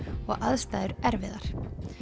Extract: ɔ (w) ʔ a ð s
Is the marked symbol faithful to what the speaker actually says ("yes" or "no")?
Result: no